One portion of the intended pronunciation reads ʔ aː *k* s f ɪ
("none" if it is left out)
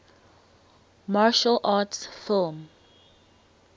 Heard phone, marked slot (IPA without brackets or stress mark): t